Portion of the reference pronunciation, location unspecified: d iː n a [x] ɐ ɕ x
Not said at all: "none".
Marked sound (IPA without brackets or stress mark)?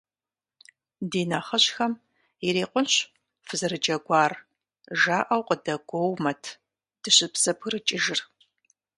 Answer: χ